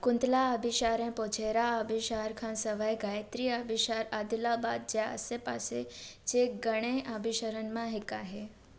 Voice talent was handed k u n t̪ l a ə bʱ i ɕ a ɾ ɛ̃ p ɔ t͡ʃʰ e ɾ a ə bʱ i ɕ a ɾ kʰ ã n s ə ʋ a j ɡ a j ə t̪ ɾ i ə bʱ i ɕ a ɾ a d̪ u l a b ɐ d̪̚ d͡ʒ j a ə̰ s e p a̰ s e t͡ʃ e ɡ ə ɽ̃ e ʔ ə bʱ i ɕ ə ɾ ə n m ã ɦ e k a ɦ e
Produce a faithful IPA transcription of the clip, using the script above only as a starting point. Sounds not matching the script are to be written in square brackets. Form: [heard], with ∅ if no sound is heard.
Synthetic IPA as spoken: k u n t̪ l a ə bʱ i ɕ a ɾ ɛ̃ p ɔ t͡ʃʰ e ɾ a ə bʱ i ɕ a ɾ kʰ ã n s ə ʋ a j ɡ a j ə t̪ ɾ i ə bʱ i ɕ a ɾ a d̪ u l a b [a] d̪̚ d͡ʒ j a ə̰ s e p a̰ s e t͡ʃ e ɡ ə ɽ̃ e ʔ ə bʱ i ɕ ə ɾ ə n m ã ɦ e k a ɦ e